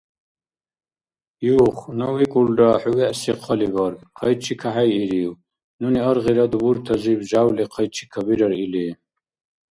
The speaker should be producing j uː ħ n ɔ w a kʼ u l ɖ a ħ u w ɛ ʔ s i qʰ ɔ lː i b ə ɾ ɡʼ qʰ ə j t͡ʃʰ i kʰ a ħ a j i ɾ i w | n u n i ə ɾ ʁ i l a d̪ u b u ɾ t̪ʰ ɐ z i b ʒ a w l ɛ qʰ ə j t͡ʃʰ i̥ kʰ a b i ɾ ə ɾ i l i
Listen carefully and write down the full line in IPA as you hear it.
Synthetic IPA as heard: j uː χ n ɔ w i kʼ u l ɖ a ħ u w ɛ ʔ s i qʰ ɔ l i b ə ɾ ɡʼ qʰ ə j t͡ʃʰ i kʰ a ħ a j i ɾ i w | n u n i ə ɾ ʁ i ɾ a d̪ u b u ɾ t̪ʰ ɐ z i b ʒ a w l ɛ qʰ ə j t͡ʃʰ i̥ kʰ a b i ɾ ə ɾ i l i